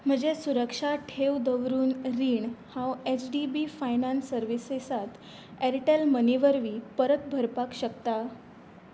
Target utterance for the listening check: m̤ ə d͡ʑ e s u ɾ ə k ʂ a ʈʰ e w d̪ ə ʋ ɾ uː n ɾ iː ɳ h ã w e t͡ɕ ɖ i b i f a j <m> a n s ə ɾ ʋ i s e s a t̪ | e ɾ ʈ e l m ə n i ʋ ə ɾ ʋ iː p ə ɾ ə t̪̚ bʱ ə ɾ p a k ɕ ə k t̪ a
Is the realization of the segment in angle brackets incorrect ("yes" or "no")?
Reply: yes